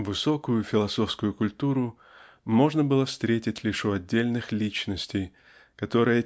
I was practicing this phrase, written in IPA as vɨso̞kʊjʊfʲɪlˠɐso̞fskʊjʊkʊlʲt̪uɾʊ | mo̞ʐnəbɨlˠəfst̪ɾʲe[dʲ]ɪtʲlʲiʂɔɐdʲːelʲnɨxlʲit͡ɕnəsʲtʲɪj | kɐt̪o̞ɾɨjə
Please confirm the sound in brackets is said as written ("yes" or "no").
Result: no